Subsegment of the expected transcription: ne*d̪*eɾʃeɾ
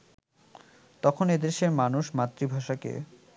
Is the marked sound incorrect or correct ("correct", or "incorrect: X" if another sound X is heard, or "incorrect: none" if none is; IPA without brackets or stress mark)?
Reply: correct